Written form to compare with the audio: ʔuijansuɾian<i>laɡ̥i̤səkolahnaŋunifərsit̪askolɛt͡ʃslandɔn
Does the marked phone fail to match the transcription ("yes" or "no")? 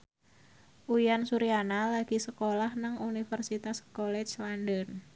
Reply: yes